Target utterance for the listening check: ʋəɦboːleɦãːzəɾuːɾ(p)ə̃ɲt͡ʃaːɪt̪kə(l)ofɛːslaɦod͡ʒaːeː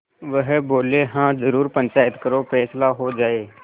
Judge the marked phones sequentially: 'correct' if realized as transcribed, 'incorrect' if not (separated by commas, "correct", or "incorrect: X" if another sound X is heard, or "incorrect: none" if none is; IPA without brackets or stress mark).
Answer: correct, incorrect: ɾ